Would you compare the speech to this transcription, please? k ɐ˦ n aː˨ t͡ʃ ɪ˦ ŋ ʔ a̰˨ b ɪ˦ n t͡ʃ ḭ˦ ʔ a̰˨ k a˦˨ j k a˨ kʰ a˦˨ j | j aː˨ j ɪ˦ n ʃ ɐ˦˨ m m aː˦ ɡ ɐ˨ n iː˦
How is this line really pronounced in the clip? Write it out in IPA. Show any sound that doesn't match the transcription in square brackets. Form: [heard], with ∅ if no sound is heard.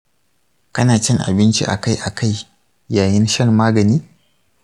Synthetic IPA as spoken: k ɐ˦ n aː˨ t͡ʃ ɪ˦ ŋ ʔ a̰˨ b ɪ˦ n t͡ʃ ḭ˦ ʔ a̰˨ k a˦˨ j [ʔ] a˨ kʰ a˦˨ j | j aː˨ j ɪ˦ n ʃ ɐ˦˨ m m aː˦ ɡ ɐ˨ n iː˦